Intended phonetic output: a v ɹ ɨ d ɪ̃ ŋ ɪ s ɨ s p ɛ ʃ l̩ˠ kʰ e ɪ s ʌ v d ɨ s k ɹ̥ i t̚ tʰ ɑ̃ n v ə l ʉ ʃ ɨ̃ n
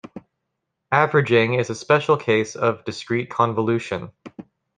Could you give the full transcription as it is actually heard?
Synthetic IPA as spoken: æ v ɹ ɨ d͡ʒ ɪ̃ ŋ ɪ z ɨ s p ɛ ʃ l̩ˠ kʰ e ɪ s ʌ v d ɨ s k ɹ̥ i t̚ kʰ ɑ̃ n v ə l ʉ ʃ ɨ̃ n

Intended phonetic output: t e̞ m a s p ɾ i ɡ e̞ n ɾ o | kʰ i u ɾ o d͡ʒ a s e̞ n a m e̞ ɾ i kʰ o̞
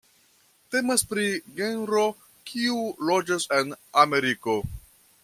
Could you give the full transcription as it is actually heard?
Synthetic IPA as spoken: t e̞ m a s p ɾ i ɡ e̞ n ɾ o | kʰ i u l o d͡ʒ a s e̞ n a m e̞ ɾ i k o̞

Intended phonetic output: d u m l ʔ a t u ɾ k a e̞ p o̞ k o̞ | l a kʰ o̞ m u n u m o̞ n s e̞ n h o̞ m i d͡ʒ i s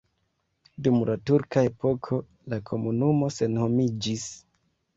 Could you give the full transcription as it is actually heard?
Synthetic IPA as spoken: d u m l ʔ a t u ɾ k a e̞ p o̞ kʰ o̞ | l a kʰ o̞ m u n u m o̞ s e̞ n h o̞ m i d͡ʒ i s

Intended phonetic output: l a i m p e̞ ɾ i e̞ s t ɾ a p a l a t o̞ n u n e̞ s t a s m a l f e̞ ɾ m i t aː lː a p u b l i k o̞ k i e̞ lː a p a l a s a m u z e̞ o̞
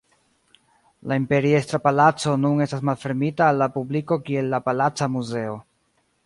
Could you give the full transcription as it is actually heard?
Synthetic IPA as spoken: l a i m p e̞ ɾ i e̞ s t ɾ a p a l a t͡s o̞ n u n e̞ s t a s m a l f e̞ ɾ m i t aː lː a p u b l i k o̞ k i e̞ lː a p a l a t͡s a m u z e̞ o̞

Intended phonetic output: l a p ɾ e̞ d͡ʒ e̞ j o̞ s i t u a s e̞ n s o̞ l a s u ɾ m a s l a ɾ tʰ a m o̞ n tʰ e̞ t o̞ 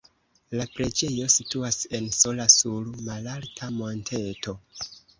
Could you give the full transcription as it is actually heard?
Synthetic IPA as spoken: l a p ɾ e̞ d͡ʒ e̞ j o̞ s i t u a s e̞ n s o̞ l a s u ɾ m a l a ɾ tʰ a m o̞ n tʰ e̞ t o̞

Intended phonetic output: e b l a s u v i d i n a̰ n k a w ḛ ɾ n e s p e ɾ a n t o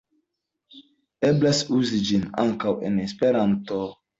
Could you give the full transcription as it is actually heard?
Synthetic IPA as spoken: e b l a s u z i d͡ʒ i n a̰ ŋ k a w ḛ n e s p e ɾ a n t o

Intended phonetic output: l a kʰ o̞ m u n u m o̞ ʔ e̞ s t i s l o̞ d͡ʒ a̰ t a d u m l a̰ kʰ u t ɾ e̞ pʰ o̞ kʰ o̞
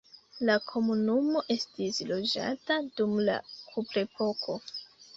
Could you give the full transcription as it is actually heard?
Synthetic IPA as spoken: l a kʰ o̞ m u n u m o̞ ʔ e̞ s t i s l o̞ d͡ʒ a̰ t a d u m l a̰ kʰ u p ɾ e̞ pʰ o̞ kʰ o̞

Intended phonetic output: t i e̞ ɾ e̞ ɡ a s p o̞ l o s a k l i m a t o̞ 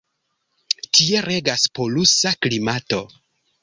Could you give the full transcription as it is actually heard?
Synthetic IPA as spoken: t i e̞ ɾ e̞ ɡ a s p o̞ l u s a k l i m a t o̞

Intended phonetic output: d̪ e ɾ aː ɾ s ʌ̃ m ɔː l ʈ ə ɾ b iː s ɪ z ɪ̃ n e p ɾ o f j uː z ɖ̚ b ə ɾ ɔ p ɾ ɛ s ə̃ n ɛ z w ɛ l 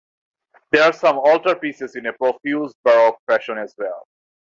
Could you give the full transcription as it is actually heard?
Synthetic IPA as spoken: d̪ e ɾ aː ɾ s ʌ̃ m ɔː l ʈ ə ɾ p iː s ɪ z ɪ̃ n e p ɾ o f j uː z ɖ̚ b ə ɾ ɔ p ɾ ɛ ʃ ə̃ n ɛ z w ɛ l

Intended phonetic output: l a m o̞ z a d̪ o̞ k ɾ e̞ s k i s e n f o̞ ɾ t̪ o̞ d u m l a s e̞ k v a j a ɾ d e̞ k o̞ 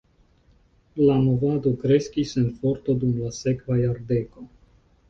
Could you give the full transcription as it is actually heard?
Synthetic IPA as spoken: l a m o̞ v a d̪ o̞ k ɾ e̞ s k i s e n f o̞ ɾ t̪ o̞ d u m l a s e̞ k v a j a ɾ d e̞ k o̞

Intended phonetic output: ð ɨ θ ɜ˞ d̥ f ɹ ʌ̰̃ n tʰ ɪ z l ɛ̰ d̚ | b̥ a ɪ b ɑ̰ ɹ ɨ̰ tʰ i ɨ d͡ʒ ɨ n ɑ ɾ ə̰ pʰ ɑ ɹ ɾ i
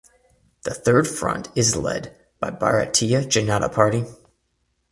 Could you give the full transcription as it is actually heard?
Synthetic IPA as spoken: ð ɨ θ ɜ˞ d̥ f ɹ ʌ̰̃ n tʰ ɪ z l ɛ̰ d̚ | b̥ a ɪ b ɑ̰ ɹ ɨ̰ tʰ i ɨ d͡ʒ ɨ n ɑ ɾ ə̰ pʰ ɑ ɹ ɾ i

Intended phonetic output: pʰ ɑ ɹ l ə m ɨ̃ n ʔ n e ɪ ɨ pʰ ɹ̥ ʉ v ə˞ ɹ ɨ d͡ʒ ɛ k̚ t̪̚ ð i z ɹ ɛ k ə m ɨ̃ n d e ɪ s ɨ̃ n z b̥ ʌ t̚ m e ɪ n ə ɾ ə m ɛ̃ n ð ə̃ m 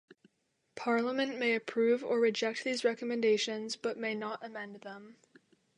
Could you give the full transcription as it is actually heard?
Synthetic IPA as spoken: pʰ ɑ ɹ l ə m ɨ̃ n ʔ m e ɪ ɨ pʰ ɹ̥ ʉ v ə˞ ɹ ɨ d͡ʒ ɛ k̚ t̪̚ ð i z ɹ ɛ k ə m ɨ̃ n d e ɪ ʃ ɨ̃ n z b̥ ʌ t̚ m e ɪ n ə ɾ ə m ɛ̃ n ð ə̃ m

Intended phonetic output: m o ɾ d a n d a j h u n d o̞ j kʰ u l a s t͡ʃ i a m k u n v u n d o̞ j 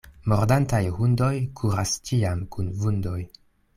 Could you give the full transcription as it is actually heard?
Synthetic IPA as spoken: m o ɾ d a n t a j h u n d o̞ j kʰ u ɾ a s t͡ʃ i a m k u n v u n d o̞ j

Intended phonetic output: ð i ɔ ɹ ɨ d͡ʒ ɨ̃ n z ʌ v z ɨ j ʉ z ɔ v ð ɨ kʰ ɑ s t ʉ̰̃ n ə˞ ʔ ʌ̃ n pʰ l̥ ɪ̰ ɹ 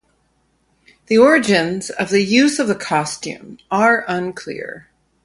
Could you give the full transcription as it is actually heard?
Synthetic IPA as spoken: ð i ɔ ɹ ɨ d͡ʒ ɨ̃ n z ʌ v ð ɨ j ʉ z ʌ v ð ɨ kʰ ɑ s t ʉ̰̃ m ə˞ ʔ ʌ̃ n kʰ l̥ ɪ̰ ɹ

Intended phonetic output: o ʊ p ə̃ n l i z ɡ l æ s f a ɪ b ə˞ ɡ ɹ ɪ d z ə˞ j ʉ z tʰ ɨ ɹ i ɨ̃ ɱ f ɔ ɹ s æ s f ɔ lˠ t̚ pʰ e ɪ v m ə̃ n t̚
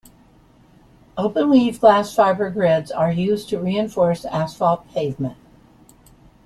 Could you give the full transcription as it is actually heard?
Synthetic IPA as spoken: o ʊ p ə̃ n l i v ɡ l æ s f a ɪ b ə˞ ɡ ɹ ɪ d z ə˞ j ʉ z tʰ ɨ ɹ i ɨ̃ ɱ f ɔ ɹ s æ s f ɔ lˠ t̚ pʰ e ɪ v m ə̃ n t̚

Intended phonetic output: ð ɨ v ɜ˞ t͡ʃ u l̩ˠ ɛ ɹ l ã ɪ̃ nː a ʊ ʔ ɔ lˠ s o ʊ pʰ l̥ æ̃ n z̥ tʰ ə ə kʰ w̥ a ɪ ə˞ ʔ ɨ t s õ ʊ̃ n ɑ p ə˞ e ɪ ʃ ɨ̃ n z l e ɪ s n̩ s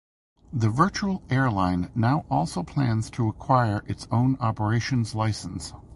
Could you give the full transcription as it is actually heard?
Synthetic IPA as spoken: ð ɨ v ɜ˞ t͡ʃ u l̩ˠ ɛ ɹ l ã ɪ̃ nː a ʊ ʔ ɔ lˠ s o ʊ pʰ l̥ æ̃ n z̥ tʰ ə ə kʰ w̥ a ɪ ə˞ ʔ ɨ t s õ ʊ̃ n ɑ p ə˞ e ɪ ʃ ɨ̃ n z l a ɪ s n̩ s

